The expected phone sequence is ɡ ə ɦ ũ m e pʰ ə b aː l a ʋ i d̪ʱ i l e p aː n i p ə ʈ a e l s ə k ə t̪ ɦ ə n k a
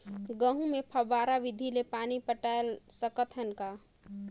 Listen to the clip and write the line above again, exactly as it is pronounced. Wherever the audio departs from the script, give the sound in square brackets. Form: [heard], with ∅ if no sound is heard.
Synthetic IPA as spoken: ɡ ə ɦ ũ m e pʰ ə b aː [ɾ] a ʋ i d̪ʱ i l e p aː n i p ə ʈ a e l s ə k ə t̪ ɦ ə n k a